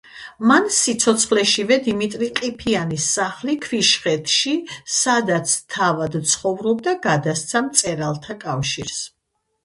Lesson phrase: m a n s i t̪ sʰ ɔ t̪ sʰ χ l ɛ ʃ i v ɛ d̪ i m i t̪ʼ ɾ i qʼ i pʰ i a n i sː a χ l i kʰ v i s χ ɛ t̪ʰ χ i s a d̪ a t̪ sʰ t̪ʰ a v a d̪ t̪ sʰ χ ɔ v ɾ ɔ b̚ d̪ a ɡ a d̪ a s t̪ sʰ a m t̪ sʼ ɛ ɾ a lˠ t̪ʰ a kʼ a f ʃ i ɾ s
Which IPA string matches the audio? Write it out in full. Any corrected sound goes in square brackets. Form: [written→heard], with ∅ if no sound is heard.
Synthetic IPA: m a n s i t̪ sʰ ɔ t̪ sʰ χ l ɛ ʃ i v ɛ d̪ i m i t̪ʼ ɾ i qʼ i pʰ i a n i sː a χ l i kʰ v i [s→ʃ] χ ɛ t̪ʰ [χ→ʃ] i s a d̪ a t̪ sʰ t̪ʰ a v a d̪ t̪ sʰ χ ɔ v ɾ ɔ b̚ d̪ a ɡ a d̪ a s t̪ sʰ a m t̪ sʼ ɛ ɾ a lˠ t̪ʰ a kʼ a f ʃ i ɾ s